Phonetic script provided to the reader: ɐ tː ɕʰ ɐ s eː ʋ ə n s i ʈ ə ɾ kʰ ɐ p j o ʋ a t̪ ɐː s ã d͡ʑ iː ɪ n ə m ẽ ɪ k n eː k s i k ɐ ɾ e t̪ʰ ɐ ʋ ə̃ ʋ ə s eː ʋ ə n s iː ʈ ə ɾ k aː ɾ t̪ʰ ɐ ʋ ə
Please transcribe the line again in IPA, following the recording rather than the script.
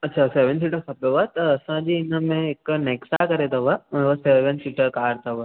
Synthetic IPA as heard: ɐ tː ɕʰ a s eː ʋ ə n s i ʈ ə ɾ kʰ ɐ p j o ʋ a t̪ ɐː s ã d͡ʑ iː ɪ n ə m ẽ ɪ k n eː k s a k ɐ ɾ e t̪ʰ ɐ ʋ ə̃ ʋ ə s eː ʋ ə n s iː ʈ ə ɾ k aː ɾ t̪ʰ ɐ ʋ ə